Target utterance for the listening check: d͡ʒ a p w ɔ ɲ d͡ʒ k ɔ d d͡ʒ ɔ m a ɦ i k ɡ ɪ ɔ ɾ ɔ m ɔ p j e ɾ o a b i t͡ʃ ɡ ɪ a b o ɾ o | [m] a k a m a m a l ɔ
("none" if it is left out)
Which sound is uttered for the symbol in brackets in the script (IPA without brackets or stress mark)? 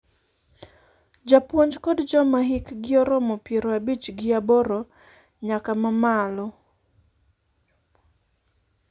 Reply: ɲ